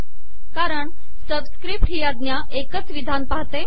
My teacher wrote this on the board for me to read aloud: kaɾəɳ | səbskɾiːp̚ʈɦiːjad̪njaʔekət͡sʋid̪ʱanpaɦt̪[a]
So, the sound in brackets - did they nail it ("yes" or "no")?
no